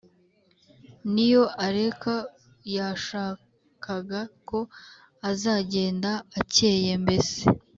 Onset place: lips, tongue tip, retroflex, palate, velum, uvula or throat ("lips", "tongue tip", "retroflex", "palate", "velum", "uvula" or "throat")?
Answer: tongue tip